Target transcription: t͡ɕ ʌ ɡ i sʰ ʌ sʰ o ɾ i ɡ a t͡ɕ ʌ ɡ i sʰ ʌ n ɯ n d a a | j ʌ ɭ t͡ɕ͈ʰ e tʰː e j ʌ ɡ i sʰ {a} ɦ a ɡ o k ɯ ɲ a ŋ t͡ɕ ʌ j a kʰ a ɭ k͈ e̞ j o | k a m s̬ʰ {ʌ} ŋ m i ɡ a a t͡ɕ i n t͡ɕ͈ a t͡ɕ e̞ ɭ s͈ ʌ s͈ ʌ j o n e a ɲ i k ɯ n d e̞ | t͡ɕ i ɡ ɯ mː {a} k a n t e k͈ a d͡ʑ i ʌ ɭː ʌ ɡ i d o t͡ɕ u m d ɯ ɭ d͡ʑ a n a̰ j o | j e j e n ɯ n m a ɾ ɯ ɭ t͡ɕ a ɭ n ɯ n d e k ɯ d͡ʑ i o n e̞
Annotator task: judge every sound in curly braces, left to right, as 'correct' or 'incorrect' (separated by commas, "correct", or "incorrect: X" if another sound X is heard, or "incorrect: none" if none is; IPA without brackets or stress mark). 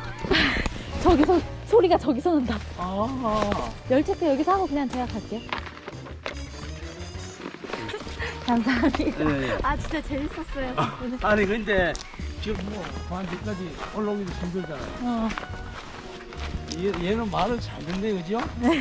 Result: incorrect: ʌ, incorrect: a, incorrect: ʌ